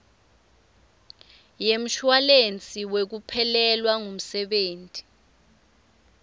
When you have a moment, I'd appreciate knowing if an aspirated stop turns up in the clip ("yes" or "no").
yes